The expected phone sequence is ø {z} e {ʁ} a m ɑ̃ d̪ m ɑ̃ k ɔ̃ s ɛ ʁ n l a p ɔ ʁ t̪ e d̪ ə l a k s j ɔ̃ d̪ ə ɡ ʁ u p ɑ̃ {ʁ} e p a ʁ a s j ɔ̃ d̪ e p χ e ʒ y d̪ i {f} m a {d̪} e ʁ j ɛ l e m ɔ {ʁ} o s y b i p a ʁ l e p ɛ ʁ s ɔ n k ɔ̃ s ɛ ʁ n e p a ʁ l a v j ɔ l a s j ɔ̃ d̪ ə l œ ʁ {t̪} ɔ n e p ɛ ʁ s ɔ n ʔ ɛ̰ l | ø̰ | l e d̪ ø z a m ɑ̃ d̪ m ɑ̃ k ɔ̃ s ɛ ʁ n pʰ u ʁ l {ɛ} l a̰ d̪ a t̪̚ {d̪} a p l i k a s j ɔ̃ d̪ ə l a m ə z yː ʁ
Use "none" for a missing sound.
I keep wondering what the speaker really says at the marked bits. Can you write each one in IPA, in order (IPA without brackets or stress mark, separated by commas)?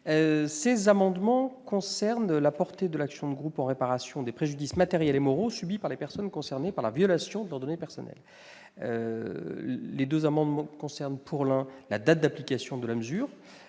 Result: s, z, ʁ, s, t̪, ʁ, d̪, ɛ̃, d̪